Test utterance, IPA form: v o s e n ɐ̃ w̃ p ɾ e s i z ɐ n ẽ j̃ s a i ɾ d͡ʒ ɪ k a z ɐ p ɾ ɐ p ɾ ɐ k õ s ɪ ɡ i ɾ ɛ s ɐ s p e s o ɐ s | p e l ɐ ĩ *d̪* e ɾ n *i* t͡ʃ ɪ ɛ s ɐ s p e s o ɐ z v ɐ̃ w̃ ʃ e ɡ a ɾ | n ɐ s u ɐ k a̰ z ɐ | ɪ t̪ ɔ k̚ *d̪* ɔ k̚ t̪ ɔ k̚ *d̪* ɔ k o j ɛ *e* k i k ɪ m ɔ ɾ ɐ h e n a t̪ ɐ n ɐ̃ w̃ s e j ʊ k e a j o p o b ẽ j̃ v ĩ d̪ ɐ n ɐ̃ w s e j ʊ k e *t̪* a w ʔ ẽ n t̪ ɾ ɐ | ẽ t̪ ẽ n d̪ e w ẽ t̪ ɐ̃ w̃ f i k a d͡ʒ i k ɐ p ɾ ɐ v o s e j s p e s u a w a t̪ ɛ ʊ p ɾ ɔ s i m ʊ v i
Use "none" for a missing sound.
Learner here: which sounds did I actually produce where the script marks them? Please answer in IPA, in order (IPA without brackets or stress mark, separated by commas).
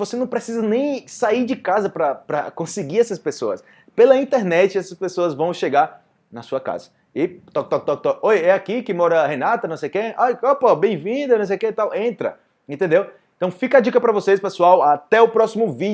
t̪, ɛ, t̪, t̪, a, t̪